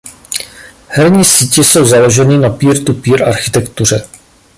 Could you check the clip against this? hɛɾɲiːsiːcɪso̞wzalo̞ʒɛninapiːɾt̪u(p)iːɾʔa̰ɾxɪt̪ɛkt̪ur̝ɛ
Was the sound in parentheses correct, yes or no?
yes